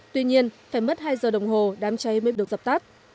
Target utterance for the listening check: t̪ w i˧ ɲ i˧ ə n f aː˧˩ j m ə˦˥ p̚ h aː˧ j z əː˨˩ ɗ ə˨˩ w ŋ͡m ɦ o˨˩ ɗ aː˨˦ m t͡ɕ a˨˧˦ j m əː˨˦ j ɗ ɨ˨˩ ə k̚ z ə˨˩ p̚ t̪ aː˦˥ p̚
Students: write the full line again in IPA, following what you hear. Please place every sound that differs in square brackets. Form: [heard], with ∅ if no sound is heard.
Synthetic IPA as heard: t̪ w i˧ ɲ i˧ ə n f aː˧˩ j m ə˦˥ [t̚] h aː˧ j z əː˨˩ ɗ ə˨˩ w ŋ͡m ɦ o˨˩ ɗ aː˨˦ m t͡ɕ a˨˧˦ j m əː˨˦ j ɗ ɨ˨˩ ə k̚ z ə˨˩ p̚ t̪ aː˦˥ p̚